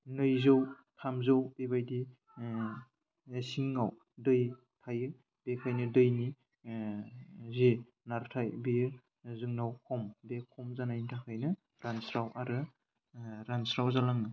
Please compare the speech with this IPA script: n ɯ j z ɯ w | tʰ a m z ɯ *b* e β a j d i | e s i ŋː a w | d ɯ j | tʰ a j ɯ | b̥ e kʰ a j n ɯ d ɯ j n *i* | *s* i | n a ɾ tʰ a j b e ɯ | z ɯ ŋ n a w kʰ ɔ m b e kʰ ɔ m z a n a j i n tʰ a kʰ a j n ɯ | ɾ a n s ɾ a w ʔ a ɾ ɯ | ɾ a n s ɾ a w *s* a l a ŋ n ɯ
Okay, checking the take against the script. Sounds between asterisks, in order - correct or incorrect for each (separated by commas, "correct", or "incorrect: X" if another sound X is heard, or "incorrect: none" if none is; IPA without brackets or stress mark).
incorrect: w, correct, incorrect: z, incorrect: z